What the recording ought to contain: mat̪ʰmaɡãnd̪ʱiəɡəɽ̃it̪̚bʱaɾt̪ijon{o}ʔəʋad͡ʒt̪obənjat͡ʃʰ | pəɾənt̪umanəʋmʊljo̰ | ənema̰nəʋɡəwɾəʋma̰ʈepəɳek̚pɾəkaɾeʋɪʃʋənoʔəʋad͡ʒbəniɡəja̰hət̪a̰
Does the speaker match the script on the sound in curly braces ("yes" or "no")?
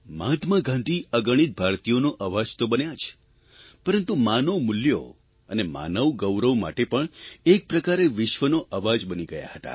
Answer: yes